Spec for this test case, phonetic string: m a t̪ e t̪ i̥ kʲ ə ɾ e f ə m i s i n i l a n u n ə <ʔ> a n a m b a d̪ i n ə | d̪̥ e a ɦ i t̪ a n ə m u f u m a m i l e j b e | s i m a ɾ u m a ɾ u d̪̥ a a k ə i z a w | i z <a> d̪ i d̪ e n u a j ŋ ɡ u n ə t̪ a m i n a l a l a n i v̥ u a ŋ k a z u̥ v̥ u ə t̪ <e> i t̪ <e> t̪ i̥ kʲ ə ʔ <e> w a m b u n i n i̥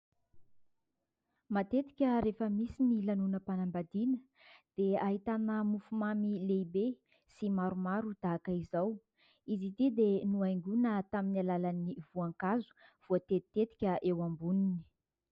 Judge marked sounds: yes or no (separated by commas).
no, no, yes, yes, yes